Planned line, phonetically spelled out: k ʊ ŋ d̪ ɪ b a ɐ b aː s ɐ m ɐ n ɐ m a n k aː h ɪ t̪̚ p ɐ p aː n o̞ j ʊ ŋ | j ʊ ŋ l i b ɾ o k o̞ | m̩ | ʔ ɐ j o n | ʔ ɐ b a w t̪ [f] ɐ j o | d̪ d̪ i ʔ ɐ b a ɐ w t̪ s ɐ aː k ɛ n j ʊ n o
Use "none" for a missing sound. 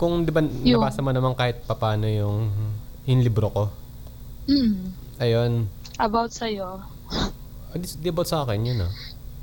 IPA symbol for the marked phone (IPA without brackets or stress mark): s